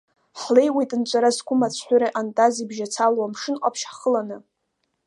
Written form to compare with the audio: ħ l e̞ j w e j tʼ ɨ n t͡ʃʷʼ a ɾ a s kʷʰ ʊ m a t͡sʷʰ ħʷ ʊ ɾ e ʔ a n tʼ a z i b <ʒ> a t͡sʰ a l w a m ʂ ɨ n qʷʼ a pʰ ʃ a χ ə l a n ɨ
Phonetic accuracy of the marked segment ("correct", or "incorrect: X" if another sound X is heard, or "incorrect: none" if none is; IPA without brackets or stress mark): correct